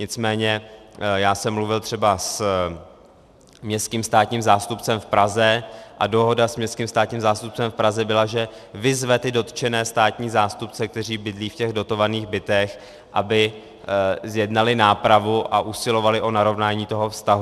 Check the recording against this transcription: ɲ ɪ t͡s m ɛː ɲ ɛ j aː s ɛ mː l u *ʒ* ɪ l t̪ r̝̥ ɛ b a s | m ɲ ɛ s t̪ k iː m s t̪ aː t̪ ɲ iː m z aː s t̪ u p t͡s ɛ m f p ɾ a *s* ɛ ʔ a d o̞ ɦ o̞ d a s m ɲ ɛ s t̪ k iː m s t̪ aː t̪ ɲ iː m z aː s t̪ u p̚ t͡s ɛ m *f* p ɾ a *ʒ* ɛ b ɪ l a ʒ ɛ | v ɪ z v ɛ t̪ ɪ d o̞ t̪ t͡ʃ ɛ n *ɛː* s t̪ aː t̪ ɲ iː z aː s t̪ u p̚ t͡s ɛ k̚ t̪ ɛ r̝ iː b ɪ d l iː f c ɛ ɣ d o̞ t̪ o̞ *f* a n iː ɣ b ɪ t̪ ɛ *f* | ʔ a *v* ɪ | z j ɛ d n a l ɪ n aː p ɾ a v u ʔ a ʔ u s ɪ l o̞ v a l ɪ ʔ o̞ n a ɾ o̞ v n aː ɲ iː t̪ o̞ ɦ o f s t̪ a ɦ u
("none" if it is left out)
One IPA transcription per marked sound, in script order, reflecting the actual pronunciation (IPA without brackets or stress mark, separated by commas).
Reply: v, z, f, z, ɛː, v, x, b